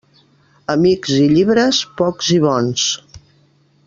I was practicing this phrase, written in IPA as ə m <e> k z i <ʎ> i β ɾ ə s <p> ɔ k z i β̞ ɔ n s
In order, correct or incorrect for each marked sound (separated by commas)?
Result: incorrect, correct, correct